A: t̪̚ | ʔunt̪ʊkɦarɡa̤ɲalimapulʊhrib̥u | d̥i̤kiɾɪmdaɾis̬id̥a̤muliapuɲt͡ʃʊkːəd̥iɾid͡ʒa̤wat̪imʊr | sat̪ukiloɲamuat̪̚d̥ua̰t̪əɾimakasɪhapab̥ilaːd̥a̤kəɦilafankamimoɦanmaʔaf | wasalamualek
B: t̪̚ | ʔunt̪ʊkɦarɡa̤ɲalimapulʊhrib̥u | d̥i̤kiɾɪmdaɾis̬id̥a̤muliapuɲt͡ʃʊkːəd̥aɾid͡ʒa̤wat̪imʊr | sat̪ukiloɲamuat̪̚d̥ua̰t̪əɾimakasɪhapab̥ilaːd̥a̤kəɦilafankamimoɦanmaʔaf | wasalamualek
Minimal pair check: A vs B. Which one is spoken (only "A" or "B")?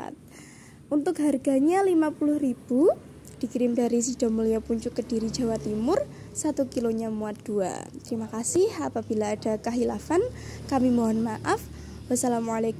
A